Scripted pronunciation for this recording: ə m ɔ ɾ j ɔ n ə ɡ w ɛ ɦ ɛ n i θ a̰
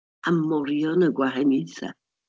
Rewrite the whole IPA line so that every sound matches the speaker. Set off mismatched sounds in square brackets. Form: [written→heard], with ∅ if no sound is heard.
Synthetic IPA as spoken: [ə→a] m ɔ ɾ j ɔ n ə ɡ w [ɛ→a] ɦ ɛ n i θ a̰